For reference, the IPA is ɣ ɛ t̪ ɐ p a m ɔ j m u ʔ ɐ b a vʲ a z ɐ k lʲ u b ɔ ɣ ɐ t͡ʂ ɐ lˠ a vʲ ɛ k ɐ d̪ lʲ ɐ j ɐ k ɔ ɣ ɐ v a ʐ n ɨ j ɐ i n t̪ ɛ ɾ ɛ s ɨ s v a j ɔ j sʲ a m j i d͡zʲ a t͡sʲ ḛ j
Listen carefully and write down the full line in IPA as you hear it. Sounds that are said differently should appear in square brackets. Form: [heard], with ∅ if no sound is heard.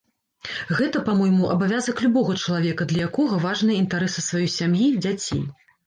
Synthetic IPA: ɣ ɛ t̪ ɐ p a m ɔ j m u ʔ ɐ b a vʲ a z ɐ k lʲ u b ɔ ɣ ɐ t͡ʂ ɐ lˠ a vʲ ɛ k ɐ d̪ lʲ ɐ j [a] k ɔ ɣ ɐ v a ʐ n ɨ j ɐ i n t̪ [a] ɾ ɛ s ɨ s v a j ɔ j sʲ a m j i d͡zʲ a t͡sʲ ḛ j